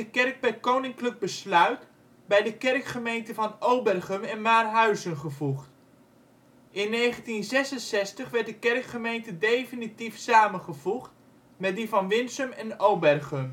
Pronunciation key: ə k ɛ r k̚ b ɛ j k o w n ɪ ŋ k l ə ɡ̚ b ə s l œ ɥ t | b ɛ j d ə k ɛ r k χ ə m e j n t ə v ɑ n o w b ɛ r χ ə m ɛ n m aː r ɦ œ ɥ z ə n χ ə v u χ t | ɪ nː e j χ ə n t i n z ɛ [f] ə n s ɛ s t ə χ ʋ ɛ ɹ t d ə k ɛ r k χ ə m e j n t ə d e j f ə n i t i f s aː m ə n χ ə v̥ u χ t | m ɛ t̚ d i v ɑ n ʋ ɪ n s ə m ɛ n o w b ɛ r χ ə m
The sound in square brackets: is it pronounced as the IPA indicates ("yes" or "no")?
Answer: no